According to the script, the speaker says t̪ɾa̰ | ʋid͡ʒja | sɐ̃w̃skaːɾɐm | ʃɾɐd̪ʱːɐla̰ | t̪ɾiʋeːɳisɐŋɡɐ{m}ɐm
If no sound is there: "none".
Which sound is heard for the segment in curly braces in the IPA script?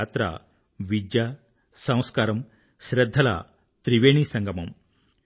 m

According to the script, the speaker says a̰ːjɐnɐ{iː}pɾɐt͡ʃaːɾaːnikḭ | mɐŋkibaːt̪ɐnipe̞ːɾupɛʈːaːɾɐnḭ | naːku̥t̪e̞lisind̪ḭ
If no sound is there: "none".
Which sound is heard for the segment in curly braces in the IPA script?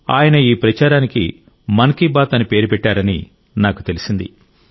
iː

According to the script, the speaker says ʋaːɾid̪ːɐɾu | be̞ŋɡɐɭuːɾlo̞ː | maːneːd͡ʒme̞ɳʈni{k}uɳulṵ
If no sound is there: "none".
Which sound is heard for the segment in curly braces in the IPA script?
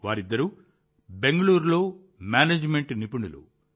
p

